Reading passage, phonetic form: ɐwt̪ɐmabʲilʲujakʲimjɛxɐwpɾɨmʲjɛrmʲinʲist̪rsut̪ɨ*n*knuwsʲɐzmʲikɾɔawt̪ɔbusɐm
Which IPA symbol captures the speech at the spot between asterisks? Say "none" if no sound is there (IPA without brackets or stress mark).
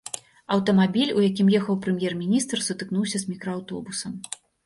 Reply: none